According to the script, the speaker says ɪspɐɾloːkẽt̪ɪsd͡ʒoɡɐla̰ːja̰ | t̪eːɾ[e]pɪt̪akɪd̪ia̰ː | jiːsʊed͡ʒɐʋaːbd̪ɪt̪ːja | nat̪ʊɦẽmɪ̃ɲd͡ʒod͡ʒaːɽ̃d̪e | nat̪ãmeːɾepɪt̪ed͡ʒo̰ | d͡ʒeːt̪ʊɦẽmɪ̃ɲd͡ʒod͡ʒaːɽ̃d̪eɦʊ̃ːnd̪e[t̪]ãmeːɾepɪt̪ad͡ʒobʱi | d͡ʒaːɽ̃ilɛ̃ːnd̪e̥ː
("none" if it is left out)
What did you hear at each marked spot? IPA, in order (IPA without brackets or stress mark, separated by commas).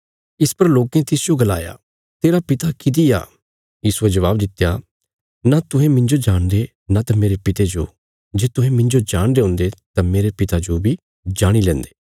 a, t̪